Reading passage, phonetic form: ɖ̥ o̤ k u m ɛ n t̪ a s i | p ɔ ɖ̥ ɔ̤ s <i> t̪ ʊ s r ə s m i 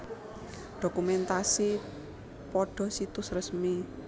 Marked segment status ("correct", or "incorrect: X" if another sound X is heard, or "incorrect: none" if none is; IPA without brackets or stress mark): correct